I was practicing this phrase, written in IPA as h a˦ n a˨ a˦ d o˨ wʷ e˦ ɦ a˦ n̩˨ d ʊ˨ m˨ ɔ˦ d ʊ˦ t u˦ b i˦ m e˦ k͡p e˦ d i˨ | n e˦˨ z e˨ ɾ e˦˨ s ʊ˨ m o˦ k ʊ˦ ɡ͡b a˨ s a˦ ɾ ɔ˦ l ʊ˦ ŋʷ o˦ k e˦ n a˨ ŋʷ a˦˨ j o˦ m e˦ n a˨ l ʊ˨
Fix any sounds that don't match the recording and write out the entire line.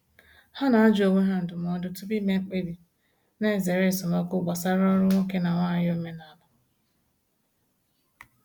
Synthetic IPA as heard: h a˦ n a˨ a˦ d͡ʒ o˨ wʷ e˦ ɦ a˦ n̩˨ d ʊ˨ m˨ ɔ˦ d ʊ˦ t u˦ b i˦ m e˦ k͡p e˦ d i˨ | n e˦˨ z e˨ ɾ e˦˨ s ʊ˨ m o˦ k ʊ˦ ɡ͡b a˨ s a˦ ɾ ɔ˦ ɾ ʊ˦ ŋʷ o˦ k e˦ n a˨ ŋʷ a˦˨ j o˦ m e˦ n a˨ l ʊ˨